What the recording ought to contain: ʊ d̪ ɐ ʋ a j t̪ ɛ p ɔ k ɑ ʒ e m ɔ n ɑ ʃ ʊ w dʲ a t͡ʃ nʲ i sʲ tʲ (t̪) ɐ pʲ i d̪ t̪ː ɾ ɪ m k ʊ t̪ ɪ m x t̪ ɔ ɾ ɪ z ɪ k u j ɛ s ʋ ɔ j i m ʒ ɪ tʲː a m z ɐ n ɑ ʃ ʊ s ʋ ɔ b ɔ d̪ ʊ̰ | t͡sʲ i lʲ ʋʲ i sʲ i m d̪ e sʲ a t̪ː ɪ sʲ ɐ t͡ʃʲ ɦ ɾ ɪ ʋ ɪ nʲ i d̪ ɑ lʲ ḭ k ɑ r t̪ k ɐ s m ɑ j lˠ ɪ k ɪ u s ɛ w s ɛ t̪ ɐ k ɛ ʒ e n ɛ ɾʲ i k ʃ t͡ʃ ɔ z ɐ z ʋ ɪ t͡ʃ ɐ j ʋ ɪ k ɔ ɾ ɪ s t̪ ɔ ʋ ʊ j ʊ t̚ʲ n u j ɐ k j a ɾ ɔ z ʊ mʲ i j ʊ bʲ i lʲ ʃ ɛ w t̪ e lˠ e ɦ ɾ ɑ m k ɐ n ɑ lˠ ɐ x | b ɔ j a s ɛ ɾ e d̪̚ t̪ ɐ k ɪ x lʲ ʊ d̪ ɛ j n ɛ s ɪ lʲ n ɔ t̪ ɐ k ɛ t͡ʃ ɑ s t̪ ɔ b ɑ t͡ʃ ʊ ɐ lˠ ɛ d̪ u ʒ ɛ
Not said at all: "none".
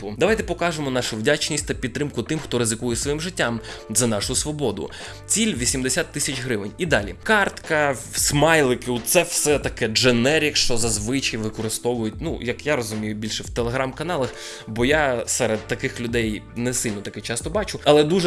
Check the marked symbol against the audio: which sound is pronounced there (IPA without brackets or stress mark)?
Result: t̪